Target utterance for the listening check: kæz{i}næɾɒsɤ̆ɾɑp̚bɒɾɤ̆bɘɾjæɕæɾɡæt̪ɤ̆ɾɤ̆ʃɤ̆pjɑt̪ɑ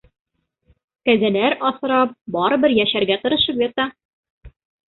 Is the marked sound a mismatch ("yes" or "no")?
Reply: yes